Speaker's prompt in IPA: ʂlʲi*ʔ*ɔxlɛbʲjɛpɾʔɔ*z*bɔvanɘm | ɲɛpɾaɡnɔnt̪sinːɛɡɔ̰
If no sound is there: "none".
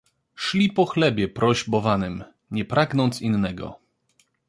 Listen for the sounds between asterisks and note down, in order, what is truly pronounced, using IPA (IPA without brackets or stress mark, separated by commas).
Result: p, ʑ